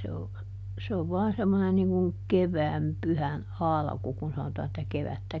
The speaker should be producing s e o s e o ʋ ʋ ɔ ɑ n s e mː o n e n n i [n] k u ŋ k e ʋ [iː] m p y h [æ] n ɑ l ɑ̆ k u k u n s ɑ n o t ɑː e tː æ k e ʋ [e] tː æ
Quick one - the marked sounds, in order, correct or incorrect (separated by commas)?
incorrect, incorrect, correct, incorrect